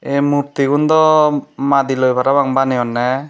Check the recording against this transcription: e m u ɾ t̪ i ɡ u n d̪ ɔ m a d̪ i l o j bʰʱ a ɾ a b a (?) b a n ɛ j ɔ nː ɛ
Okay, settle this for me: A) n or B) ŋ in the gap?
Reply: B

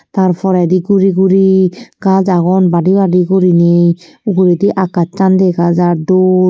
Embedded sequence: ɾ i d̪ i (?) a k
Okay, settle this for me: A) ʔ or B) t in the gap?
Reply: A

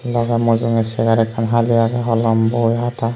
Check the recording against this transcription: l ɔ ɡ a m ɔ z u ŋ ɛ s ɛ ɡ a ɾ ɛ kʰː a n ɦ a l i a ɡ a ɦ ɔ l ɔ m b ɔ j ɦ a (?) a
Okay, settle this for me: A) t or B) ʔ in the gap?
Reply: A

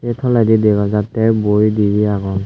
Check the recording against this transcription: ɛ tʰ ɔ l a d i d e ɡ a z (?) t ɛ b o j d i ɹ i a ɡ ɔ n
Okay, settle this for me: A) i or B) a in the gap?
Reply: B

